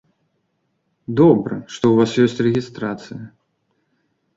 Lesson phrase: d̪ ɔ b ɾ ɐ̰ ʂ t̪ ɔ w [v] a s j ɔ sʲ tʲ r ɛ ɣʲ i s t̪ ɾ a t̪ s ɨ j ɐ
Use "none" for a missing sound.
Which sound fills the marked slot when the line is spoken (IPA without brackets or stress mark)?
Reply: v